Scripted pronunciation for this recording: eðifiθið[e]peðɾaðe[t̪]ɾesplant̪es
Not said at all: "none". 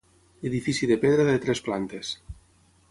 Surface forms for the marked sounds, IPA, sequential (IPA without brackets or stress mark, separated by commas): e, t̪